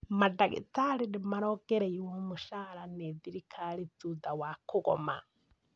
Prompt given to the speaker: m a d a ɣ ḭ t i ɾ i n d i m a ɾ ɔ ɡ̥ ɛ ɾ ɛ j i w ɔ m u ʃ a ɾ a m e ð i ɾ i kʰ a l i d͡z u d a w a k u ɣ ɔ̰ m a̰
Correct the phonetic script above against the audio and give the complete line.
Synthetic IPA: m a d a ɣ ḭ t a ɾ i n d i m a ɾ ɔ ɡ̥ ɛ ɾ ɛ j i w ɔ m u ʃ a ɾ a n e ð i ɾ i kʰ a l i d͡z u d a w a k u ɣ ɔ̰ m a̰